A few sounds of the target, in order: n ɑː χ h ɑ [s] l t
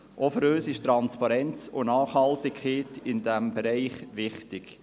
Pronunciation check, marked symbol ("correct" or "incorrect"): incorrect